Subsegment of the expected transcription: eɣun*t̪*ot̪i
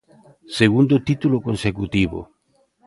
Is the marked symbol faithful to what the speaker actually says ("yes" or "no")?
no